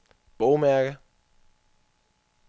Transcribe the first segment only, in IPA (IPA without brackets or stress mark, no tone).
b̥